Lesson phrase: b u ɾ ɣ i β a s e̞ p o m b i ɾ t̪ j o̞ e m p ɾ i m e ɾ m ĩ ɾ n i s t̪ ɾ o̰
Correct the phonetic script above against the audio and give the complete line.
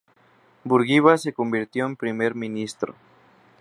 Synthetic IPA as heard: b u ɾ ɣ i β a s e̞ k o m b i ɾ t̪ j o̞ e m p ɾ i m e ɾ m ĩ n i s t̪ ɾ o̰